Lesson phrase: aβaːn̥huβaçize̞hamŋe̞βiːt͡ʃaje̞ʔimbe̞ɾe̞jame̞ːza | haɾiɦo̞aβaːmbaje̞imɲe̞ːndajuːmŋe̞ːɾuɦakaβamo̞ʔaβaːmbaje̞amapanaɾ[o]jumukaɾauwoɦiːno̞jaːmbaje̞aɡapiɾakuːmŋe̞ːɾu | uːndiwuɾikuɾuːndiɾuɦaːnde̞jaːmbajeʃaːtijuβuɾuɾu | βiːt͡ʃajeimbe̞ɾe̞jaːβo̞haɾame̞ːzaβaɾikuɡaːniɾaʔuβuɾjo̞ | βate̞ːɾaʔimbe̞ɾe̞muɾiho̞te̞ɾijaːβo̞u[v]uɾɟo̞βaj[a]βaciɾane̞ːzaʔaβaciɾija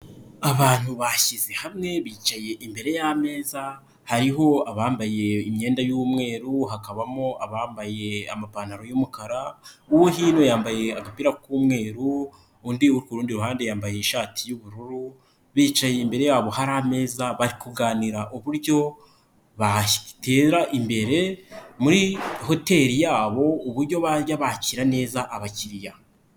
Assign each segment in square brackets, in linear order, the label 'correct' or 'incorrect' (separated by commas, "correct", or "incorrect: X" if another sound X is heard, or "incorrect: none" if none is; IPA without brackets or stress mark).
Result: correct, incorrect: β, correct